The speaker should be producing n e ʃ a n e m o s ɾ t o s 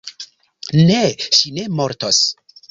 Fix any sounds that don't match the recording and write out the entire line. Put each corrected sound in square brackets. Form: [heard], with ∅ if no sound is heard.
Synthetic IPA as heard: n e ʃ [i] n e m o [∅] ɾ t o s